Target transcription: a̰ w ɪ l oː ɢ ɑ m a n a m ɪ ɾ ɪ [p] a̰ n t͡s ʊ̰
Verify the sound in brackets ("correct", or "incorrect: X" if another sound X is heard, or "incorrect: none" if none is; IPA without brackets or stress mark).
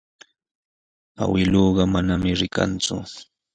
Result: incorrect: k